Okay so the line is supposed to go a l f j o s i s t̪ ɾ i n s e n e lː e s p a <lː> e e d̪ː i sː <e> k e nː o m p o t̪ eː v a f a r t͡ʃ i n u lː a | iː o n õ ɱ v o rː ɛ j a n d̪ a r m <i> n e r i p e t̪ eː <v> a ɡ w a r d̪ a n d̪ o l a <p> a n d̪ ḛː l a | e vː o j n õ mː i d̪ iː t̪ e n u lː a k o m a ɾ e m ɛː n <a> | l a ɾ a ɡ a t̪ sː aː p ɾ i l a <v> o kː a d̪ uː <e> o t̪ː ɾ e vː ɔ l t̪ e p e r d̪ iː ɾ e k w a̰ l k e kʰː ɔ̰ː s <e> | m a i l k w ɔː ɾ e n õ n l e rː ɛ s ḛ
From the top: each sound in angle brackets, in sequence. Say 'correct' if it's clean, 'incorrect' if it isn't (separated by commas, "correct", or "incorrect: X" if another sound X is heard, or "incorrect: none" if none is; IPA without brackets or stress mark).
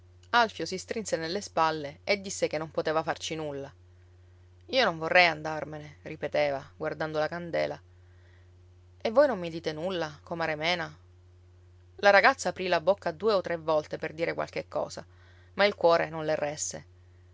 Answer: correct, correct, incorrect: e, correct, incorrect: k, correct, incorrect: b, correct, incorrect: a